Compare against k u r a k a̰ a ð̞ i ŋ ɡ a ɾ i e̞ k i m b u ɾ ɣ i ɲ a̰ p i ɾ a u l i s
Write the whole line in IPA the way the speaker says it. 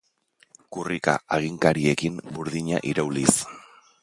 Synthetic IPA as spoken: k u r i k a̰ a ɣ̞ i ŋ k a ɾ i e̞ k i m b u ɾ ð i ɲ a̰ ʔ i ɾ a w l i s